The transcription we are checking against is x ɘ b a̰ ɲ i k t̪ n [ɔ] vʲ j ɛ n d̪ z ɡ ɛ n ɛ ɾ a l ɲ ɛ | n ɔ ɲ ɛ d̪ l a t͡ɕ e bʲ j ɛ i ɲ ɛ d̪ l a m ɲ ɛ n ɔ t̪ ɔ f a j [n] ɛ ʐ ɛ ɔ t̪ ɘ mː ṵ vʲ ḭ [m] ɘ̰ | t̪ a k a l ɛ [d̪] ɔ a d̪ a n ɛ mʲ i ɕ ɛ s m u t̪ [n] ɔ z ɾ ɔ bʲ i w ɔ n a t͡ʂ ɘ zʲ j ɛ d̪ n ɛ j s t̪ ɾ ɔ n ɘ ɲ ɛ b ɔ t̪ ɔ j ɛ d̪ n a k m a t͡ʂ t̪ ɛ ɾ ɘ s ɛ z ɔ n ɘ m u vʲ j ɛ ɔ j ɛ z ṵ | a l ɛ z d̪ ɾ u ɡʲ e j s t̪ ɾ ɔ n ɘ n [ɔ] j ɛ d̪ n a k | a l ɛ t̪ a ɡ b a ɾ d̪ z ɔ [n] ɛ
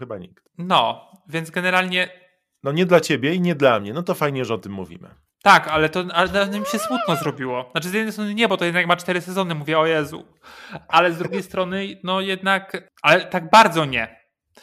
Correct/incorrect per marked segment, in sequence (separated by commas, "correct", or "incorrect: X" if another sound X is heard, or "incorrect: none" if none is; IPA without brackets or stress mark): correct, incorrect: ɲ, correct, incorrect: t̪, correct, correct, incorrect: ɲ